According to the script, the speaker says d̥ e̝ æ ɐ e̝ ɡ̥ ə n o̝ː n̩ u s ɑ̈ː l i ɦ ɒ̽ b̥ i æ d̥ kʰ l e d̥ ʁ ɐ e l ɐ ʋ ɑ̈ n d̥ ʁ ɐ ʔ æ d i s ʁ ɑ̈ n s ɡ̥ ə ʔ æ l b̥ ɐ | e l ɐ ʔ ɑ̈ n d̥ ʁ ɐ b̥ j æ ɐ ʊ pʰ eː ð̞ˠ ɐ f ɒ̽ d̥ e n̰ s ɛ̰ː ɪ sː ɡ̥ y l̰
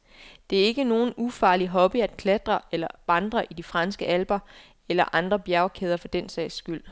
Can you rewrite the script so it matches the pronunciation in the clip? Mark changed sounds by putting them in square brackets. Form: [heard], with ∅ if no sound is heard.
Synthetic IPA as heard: d̥ e̝ æ ɐ e̝ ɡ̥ ə n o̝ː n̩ u [f] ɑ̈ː l i ɦ ɒ̽ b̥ i æ d̥ kʰ l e d̥ ʁ ɐ e l ɐ ʋ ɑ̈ n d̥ ʁ ɐ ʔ [i] d i [f] ʁ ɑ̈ n s ɡ̥ ə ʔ æ l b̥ ɐ | e l ɐ ʔ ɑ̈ n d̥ ʁ ɐ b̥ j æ ɐ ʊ [kʰ] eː ð̞ˠ ɐ f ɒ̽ d̥ e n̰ s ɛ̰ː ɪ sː ɡ̥ y l̰